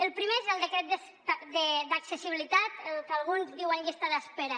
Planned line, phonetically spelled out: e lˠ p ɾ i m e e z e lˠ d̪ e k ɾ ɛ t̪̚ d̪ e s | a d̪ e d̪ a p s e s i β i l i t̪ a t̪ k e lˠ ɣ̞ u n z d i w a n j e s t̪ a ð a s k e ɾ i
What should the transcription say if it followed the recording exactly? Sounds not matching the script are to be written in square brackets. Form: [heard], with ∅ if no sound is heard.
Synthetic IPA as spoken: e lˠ p ɾ i m e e z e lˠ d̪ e k ɾ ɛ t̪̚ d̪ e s | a d̪ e d̪ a [k] s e s i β i l i t̪ a t̪ k [a] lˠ ɣ̞ u n z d i w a n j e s t̪ a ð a s [p] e ɾ [a]